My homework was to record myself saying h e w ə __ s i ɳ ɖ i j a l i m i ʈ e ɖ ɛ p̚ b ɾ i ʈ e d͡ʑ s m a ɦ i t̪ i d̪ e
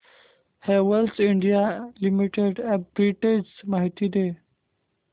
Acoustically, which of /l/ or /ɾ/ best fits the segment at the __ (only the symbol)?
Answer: l